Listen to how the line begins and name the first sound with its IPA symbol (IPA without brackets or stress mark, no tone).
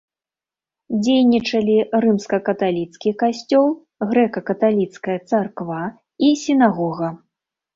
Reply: d͡zʲ